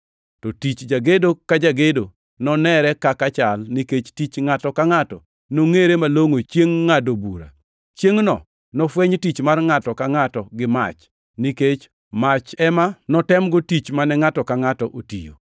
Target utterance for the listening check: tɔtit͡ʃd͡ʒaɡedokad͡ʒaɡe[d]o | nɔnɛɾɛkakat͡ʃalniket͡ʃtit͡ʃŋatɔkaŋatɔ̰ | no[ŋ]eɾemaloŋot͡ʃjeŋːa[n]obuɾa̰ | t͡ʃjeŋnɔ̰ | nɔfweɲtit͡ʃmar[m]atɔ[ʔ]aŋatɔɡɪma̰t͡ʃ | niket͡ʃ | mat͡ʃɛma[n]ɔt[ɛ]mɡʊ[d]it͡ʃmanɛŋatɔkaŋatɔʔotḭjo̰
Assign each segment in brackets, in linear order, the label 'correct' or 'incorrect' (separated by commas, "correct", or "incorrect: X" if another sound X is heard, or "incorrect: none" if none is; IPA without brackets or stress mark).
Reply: correct, correct, incorrect: d, incorrect: ŋ, incorrect: k, correct, correct, incorrect: t